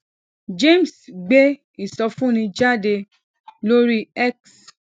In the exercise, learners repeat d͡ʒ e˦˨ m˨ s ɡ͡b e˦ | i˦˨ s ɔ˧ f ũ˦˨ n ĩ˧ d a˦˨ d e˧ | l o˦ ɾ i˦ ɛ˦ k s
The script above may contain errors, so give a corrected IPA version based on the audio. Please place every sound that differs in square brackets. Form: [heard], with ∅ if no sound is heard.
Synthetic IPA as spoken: d͡ʒ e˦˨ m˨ s ɡ͡b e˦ | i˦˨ s ɔ˧ f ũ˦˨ n ĩ˧ [d͡ʒ] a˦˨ d e˧ | l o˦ ɾ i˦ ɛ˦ k s